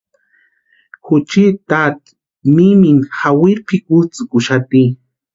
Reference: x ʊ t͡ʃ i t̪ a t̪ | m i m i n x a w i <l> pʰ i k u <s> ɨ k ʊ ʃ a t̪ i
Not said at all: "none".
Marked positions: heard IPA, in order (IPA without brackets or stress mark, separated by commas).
ɾ, t͡s